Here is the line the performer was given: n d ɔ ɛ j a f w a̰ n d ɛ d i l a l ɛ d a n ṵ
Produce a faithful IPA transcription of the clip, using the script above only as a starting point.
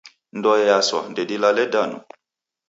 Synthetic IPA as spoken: n d ɔ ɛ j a s w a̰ n d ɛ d i l a l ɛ d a n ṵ